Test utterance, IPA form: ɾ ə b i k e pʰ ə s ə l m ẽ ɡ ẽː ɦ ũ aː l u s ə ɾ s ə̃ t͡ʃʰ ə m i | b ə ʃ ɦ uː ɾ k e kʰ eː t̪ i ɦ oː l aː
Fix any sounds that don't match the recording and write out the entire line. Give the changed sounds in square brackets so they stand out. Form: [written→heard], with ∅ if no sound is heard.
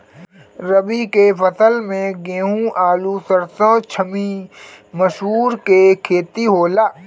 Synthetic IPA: ɾ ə b i k e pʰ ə s ə l m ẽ ɡ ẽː ɦ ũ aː l u s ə ɾ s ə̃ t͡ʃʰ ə m i | [b→m] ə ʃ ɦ uː ɾ k e kʰ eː t̪ i ɦ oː l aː